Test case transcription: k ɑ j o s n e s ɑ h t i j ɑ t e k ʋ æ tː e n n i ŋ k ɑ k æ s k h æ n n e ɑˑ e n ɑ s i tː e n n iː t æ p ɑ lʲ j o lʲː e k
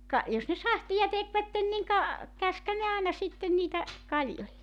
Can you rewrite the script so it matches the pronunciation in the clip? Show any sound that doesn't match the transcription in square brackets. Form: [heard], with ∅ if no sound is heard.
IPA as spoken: k ɑ j o s n e s ɑ h t i j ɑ t e k ʋ æ tː e n n i ŋ k ɑ k æ s k h æ n n e ɑˑ e n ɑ s i tː e n n iː t æ [k] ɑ lʲ j o lʲː e k